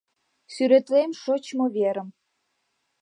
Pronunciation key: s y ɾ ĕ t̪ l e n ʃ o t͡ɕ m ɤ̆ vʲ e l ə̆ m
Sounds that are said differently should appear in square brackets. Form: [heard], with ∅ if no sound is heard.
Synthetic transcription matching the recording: s y ɾ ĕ t̪ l e [m] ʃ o t͡ɕ m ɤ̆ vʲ e [ɾ] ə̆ m